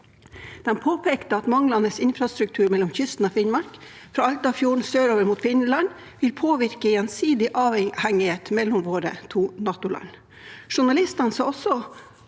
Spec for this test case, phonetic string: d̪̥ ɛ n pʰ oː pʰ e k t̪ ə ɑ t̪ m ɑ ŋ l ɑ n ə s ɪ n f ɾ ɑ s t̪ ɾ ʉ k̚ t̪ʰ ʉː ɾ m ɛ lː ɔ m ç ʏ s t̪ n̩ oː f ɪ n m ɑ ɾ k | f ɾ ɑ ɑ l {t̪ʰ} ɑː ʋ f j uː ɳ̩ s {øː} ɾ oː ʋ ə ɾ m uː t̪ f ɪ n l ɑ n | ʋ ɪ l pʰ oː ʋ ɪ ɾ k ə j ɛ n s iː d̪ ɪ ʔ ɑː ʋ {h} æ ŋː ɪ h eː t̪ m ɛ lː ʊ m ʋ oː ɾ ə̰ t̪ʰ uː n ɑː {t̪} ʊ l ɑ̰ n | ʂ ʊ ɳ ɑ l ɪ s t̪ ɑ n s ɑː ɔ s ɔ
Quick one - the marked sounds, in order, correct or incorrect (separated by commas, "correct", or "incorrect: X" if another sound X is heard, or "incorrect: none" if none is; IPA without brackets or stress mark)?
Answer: incorrect: t̪, correct, correct, correct